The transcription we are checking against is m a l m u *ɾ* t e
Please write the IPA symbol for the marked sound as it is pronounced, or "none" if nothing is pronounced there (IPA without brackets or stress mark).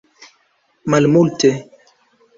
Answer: l